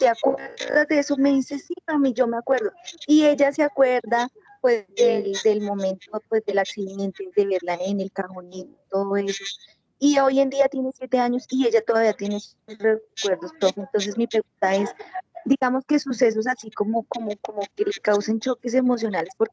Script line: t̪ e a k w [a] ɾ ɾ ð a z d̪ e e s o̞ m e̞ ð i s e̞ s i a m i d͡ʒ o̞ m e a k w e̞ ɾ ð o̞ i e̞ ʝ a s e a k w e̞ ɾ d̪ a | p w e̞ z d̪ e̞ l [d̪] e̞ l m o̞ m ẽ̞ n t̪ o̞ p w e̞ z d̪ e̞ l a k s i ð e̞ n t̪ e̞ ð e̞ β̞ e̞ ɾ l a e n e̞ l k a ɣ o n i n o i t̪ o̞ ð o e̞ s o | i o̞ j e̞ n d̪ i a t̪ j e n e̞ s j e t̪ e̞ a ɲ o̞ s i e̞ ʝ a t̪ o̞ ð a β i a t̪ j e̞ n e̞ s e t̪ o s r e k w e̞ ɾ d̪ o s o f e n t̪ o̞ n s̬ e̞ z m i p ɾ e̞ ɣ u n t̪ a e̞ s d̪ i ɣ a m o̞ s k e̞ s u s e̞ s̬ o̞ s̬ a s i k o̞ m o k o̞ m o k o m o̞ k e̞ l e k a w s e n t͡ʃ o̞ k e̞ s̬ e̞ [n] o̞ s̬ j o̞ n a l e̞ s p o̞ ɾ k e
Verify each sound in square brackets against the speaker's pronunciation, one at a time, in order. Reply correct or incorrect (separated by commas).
incorrect, correct, incorrect